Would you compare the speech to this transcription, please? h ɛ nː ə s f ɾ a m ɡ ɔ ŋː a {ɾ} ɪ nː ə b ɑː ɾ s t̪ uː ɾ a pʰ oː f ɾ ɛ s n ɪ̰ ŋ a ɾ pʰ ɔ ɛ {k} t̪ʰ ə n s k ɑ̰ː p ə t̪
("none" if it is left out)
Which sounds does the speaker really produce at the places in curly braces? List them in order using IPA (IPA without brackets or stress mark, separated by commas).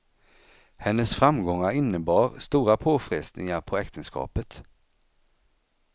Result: ɾ, k